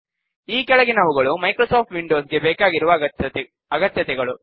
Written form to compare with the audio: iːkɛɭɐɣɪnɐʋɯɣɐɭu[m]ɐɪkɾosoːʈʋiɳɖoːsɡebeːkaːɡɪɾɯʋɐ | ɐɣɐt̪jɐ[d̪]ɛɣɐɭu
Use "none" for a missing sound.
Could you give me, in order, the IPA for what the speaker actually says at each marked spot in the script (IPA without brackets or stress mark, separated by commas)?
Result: m, t̪